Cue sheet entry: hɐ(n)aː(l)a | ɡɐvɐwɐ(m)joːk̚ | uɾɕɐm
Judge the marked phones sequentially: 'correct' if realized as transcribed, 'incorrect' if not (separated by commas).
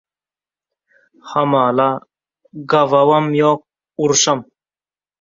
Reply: incorrect, correct, correct